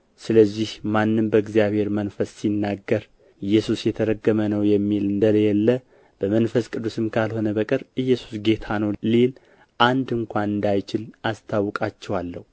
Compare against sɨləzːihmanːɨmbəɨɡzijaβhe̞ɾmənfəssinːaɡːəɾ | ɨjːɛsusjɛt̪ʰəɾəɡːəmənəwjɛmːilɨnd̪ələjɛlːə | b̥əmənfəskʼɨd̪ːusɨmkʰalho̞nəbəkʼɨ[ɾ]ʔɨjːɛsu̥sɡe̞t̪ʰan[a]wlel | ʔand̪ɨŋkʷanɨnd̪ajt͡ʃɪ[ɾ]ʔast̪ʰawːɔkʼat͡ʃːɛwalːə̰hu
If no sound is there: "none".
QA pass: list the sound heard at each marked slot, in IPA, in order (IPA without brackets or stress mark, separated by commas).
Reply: ɾ, ə, l